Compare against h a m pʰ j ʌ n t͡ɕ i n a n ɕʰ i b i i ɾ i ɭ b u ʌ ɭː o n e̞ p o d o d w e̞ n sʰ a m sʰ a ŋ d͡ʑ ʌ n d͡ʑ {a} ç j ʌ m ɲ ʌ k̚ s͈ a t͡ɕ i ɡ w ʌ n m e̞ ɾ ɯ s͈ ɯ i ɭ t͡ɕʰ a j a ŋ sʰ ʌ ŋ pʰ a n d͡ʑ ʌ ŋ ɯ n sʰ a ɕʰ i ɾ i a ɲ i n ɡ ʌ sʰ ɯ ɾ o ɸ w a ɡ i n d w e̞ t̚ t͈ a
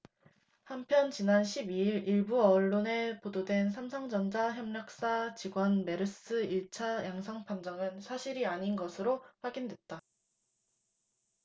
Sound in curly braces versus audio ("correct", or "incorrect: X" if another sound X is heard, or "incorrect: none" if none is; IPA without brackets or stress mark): correct